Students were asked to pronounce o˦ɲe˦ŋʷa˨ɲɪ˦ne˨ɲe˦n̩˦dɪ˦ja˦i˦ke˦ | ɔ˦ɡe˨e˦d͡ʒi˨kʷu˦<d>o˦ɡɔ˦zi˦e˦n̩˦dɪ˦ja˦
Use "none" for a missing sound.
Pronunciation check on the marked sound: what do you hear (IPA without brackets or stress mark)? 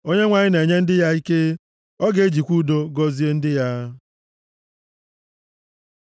d